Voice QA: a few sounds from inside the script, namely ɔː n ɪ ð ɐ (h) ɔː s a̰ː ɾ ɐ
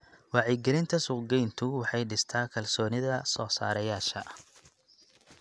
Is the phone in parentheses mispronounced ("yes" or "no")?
yes